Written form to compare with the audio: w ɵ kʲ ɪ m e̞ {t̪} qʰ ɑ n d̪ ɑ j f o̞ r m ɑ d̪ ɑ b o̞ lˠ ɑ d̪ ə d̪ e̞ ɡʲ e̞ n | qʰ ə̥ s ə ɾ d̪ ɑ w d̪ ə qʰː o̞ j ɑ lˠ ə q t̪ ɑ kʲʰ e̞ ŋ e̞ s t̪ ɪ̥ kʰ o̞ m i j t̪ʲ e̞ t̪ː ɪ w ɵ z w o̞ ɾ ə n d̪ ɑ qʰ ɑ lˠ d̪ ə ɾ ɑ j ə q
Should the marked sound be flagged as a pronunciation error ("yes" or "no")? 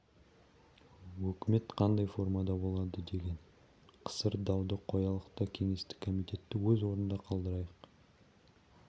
no